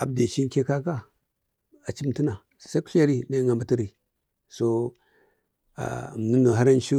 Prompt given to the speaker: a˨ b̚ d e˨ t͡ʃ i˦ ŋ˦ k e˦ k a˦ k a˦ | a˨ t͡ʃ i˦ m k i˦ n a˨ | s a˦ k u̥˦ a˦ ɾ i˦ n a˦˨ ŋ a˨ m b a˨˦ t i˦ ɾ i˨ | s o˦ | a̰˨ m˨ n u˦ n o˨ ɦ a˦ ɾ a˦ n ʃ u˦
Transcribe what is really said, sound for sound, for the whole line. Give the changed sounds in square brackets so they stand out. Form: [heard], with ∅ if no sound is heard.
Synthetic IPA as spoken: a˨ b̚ d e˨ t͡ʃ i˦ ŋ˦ k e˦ k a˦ k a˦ | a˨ t͡ʃ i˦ m [t] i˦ n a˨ | s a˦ k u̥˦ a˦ ɾ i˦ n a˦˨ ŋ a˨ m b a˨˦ t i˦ ɾ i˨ | s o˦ | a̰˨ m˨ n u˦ n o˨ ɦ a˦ ɾ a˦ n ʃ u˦